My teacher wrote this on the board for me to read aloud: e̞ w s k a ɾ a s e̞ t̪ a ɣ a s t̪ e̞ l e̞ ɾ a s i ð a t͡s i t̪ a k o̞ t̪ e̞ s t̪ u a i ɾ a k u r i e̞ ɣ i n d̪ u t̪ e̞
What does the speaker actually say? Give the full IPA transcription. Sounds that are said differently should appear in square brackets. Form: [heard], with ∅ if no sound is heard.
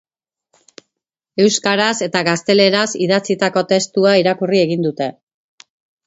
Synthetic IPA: e̞ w s k a ɾ a s e̞ t̪ a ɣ a s t̪ e̞ l e̞ ɾ a s i ð a t͡s i t̪ a k o̞ t̪ e̞ s t̪ u a i ɾ a k u r i e̞ ɣ i n d̪ u t̪ e̞